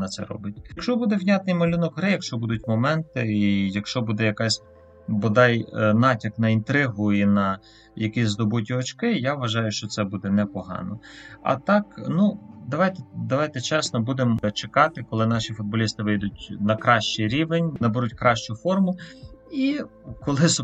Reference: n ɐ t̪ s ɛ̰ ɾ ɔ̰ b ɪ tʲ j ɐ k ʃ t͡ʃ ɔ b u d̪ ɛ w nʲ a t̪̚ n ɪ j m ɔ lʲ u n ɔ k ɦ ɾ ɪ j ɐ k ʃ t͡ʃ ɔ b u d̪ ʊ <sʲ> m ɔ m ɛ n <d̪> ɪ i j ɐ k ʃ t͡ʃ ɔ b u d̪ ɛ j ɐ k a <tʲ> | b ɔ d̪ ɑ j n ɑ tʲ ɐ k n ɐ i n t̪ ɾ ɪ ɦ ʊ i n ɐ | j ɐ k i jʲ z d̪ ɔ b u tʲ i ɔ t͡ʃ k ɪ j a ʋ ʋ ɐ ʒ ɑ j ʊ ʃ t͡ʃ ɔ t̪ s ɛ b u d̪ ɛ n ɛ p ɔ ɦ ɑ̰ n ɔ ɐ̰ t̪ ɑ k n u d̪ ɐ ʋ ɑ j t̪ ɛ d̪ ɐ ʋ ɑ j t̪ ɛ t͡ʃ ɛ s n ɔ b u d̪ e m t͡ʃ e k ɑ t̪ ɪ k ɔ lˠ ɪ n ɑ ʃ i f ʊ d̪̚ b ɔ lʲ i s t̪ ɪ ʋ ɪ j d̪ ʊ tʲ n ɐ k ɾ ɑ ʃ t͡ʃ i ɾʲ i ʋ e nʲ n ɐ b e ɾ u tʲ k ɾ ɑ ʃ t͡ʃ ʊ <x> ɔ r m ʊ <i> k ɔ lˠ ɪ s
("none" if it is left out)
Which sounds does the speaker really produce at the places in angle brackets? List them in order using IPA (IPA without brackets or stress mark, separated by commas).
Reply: tʲ, t̪, sʲ, f, i